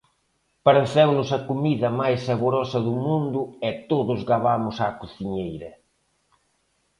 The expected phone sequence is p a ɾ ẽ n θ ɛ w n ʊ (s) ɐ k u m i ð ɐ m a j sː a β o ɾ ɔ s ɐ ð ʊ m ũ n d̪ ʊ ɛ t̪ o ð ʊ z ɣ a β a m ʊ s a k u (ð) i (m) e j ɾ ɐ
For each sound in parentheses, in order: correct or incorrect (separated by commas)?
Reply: correct, incorrect, incorrect